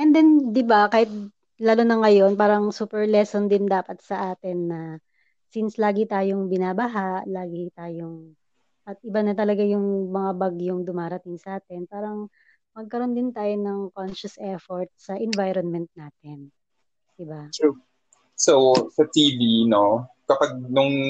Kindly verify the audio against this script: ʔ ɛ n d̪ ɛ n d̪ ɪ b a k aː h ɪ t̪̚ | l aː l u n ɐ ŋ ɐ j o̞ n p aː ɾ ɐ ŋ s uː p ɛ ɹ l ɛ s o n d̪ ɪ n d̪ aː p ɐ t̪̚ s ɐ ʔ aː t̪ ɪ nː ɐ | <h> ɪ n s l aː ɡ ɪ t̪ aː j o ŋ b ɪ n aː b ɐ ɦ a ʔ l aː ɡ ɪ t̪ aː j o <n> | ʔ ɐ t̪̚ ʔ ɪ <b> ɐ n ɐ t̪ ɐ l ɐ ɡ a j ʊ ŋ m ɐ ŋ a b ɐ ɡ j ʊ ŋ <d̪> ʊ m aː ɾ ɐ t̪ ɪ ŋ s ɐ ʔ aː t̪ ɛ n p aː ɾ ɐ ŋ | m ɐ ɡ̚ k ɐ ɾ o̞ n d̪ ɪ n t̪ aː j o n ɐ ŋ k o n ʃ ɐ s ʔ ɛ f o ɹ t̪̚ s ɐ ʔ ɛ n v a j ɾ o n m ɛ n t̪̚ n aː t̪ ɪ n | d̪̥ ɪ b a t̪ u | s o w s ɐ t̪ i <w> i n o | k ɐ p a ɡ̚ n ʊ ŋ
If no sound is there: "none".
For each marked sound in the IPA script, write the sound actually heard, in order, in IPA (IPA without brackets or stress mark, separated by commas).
s, ŋ, b, d̪, v